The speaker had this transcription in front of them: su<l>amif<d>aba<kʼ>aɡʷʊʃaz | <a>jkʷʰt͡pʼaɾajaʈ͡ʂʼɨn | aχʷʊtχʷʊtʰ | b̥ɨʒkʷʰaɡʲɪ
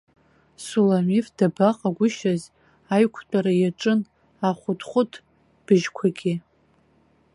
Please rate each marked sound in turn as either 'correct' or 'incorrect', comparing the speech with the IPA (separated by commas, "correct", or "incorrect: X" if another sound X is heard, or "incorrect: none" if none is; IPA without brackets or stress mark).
correct, correct, incorrect: qʼ, correct